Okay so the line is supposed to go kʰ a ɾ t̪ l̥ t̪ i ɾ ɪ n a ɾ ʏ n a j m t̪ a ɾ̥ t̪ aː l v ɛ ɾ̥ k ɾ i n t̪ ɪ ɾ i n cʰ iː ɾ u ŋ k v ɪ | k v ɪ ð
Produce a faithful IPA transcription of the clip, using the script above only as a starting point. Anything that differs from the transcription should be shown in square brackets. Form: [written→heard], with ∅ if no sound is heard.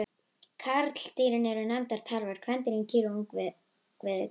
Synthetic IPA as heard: kʰ a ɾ t̪ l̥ t̪ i ɾ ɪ n [a→ɛ] ɾ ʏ n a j m t̪ a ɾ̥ [t̪→t̪ʰ] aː l v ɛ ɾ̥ [k→kʰ] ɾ [i→ɛ] n t̪ ɪ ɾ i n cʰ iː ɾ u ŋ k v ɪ | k v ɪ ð